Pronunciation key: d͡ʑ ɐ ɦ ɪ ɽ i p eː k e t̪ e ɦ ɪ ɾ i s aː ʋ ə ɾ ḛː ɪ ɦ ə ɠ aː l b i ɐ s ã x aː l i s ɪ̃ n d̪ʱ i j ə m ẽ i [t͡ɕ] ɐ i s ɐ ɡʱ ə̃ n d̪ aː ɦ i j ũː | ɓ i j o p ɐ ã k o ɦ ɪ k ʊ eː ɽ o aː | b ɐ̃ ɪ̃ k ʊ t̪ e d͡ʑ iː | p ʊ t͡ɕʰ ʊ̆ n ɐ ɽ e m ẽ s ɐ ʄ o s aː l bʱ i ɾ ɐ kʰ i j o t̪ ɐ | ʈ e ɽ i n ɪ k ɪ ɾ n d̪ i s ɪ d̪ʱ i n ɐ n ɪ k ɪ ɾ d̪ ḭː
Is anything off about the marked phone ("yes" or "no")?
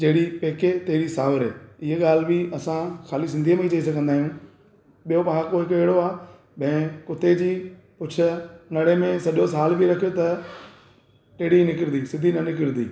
no